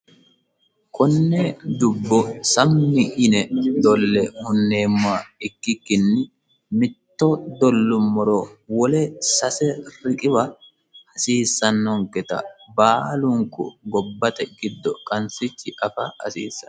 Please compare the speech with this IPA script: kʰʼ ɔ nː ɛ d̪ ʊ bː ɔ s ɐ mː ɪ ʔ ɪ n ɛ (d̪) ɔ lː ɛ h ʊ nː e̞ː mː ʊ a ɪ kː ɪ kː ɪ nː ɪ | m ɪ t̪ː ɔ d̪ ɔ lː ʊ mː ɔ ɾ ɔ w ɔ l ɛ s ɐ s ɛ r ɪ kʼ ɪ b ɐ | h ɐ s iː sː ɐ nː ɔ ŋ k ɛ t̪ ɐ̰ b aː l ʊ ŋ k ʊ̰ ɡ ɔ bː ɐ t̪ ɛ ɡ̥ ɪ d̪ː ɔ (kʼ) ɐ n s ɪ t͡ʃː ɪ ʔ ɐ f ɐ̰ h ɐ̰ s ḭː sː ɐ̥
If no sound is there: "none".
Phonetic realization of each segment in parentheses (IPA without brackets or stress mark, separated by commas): d̪, kʼ